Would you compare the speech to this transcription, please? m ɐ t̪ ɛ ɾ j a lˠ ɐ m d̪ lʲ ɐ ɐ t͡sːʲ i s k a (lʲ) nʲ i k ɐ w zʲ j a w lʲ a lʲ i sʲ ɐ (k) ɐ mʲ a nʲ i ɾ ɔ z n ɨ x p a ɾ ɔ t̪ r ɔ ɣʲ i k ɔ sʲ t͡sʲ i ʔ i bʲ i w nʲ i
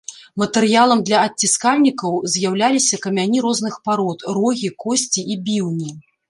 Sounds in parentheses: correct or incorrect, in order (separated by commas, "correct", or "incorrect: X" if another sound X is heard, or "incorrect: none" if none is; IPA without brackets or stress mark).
correct, correct